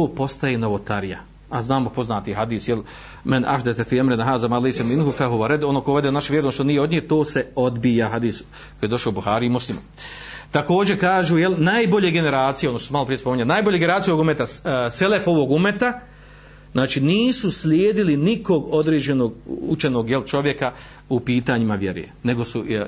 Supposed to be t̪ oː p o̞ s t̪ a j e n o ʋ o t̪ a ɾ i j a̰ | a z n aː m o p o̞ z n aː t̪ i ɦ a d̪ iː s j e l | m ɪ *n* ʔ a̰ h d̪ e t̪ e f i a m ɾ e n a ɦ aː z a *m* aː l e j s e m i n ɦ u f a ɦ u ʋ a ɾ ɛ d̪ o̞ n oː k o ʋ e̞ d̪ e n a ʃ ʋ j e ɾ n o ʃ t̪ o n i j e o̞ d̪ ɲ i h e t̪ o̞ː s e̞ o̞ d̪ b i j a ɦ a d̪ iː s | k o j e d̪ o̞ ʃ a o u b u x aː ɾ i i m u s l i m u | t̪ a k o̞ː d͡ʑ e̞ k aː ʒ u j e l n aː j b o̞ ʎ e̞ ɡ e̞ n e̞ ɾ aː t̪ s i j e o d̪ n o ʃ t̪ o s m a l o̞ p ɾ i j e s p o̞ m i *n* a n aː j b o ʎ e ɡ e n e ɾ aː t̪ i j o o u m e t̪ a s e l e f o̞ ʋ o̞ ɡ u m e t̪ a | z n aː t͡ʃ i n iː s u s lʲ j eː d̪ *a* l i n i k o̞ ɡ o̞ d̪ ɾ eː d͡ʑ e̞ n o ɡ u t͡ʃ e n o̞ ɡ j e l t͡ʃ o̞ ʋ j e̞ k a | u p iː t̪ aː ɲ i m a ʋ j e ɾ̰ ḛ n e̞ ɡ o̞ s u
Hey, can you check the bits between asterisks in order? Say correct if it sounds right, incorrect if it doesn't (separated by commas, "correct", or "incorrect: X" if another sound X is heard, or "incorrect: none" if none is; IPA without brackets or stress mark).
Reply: correct, correct, incorrect: ɲ, incorrect: i